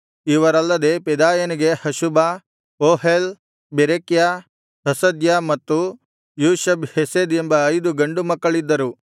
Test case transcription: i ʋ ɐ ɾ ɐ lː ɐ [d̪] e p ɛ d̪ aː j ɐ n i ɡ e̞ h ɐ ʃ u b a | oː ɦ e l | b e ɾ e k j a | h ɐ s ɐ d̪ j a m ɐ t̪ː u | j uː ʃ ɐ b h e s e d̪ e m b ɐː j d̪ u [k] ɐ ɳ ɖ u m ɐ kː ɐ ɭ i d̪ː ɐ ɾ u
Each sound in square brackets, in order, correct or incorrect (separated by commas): correct, incorrect